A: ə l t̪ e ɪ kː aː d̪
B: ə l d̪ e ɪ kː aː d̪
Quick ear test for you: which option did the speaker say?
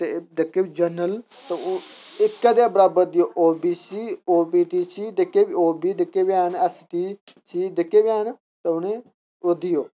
A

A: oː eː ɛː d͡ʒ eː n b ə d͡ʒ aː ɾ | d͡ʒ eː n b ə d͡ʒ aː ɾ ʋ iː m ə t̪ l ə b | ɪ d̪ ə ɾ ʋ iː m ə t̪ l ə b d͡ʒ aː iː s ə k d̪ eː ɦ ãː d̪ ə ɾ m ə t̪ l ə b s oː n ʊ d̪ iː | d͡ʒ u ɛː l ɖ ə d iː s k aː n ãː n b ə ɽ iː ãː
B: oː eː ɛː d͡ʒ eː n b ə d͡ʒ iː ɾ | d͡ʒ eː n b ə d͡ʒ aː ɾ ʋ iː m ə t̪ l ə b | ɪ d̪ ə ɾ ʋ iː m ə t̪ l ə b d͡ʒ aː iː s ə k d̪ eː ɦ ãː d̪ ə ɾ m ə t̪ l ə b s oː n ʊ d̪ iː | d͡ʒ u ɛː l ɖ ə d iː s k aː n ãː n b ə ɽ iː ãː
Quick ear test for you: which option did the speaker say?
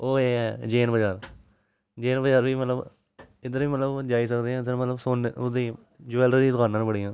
A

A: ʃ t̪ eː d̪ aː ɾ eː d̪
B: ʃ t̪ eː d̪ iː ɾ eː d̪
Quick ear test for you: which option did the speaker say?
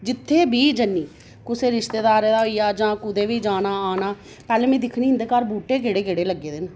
A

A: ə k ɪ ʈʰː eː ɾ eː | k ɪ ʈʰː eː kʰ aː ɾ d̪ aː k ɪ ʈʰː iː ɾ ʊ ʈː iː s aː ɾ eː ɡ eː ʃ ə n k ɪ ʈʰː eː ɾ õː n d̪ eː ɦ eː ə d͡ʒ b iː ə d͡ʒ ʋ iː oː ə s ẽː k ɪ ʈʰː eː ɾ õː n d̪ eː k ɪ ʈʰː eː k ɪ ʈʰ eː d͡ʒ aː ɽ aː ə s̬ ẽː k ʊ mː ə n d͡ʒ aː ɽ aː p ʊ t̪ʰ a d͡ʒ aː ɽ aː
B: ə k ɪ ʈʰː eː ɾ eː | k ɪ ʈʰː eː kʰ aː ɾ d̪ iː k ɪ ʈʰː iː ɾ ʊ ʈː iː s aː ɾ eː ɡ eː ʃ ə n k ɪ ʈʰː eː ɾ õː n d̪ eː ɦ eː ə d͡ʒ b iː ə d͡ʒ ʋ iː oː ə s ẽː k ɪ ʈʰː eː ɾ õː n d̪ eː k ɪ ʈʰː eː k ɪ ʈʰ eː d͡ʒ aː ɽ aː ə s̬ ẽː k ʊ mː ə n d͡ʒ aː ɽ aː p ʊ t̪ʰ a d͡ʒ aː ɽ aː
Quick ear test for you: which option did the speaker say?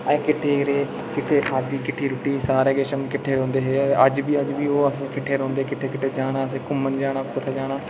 B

